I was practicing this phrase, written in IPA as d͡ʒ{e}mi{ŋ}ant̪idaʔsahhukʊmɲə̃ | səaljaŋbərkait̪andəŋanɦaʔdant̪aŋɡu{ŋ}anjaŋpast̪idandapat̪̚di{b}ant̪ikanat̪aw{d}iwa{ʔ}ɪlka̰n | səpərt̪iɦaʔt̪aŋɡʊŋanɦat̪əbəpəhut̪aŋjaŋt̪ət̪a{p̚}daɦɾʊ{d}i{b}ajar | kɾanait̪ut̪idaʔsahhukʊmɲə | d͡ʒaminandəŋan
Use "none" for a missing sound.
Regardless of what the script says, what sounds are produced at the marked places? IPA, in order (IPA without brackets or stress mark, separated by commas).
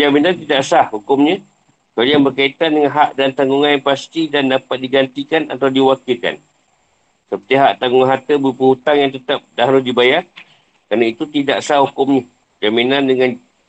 a, n, ŋ, ɡ, d, k, p̚, d, b